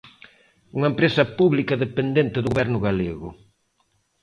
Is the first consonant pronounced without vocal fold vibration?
no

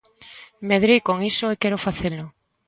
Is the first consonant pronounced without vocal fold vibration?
no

